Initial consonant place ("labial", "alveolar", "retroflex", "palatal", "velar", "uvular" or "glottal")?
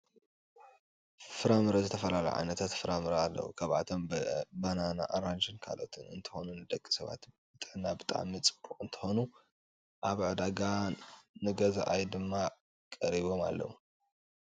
labial